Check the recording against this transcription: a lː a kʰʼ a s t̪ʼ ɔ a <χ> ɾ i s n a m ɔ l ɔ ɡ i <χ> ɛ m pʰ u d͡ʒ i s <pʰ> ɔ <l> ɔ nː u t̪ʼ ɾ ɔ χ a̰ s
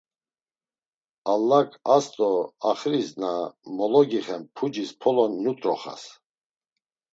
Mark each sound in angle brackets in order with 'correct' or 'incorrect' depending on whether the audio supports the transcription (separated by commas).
correct, correct, correct, correct